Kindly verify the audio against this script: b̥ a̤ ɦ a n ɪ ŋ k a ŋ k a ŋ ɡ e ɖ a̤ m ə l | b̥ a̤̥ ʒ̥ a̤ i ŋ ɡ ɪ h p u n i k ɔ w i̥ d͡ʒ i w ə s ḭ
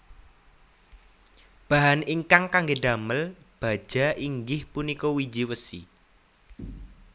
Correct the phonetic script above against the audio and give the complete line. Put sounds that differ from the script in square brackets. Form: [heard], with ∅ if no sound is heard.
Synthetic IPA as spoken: b̥ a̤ ɦ a n [i] ŋ k a ŋ k a ŋ ɡ e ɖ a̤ m ə l | b̥ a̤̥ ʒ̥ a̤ i ŋ ɡ ɪ h p u n i k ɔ w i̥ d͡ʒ i w ə s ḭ